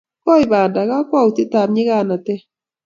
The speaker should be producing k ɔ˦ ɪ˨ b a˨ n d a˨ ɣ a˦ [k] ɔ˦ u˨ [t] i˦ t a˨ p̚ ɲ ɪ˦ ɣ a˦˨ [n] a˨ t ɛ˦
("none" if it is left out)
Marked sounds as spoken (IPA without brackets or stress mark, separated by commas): k, t, n